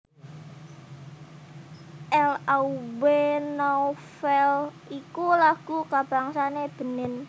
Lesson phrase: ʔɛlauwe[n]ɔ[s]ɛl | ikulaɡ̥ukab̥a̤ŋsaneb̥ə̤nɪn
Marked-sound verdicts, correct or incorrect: correct, incorrect: f

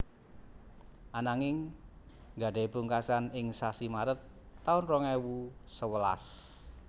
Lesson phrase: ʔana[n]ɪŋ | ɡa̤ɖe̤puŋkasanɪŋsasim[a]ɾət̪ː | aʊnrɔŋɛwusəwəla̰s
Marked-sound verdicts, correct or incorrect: incorrect: ŋ, correct

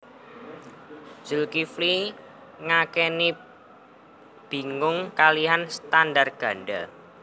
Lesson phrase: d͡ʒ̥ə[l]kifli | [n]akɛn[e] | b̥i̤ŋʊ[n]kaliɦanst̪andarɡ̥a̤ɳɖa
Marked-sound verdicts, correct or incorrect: correct, incorrect: ŋ, incorrect: i, incorrect: ŋ

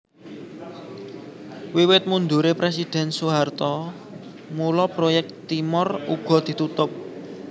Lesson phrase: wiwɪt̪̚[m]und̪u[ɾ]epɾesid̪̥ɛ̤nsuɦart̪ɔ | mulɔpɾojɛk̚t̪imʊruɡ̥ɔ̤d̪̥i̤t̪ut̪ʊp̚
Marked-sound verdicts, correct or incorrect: correct, correct

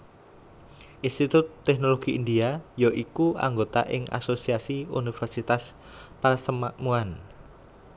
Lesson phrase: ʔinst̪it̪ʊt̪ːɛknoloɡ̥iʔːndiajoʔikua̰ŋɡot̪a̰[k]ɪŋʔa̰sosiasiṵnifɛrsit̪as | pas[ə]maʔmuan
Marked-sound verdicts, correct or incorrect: incorrect: ʔ, correct

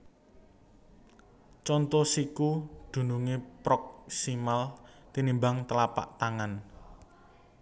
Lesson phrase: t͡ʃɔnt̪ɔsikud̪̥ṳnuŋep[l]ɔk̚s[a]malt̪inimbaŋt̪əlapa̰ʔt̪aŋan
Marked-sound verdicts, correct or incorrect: incorrect: ɾ, incorrect: i

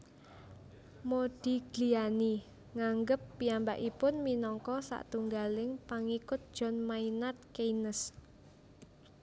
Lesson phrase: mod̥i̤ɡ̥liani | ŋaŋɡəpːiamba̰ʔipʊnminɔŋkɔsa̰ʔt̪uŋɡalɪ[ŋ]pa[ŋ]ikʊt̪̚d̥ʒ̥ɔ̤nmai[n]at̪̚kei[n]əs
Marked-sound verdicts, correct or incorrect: correct, correct, correct, correct

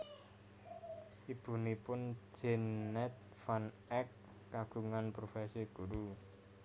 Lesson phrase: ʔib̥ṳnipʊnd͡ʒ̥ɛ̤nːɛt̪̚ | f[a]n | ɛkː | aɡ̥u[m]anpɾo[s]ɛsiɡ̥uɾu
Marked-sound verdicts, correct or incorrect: correct, incorrect: ŋ, incorrect: f

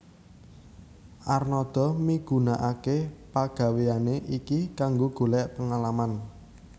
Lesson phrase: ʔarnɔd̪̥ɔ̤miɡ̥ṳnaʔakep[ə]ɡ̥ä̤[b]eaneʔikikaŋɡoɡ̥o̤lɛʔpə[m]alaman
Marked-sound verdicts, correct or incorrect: incorrect: a, incorrect: w, incorrect: ŋ

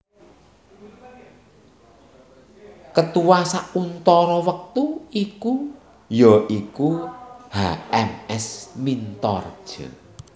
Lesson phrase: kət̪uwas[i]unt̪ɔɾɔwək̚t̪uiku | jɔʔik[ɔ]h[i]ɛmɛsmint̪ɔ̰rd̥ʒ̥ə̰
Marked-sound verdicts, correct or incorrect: incorrect: a, incorrect: u, incorrect: a

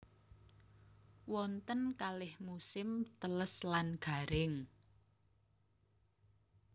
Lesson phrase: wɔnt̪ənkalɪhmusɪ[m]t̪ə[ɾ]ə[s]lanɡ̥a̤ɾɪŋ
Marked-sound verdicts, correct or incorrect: correct, incorrect: l, correct

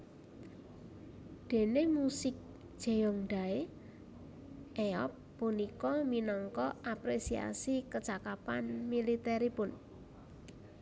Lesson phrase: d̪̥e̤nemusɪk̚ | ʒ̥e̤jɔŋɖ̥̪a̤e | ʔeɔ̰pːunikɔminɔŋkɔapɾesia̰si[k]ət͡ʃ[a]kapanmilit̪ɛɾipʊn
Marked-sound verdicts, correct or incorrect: correct, correct

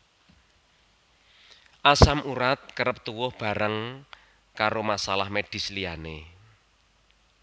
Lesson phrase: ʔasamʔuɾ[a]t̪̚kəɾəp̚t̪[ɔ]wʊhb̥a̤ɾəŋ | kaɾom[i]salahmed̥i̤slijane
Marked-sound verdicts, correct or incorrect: correct, incorrect: u, incorrect: a

